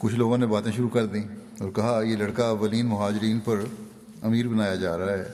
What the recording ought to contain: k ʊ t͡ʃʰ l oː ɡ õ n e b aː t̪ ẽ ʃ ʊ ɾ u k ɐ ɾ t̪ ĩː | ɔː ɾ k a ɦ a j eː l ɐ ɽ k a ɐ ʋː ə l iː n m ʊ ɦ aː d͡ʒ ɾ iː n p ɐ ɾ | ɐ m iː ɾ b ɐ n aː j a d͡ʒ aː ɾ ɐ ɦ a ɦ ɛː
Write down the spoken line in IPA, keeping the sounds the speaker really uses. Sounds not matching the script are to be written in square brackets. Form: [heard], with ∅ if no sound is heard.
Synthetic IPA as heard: k ʊ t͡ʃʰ l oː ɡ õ n e b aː t̪ ẽ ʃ ʊ ɾ u k ɐ ɾ [d̪] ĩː | ɔː ɾ k [ɐ] ɦ a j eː l ɐ ɽ k a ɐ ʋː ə l iː n m ʊ ɦ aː d͡ʒ ɾ iː n p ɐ ɾ | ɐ m iː ɾ b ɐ n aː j a d͡ʒ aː ɾ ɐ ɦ a ɦ ɛː